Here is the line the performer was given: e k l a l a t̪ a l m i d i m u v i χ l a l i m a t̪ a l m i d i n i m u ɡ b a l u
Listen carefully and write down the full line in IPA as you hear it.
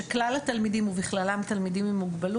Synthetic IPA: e k l a l a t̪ a l m i d i m u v i χ l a l a m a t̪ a l m i d i m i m u ɡ b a l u